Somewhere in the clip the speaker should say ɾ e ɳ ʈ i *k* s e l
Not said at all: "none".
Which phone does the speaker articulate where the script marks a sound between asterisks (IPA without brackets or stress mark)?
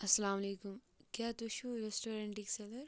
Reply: k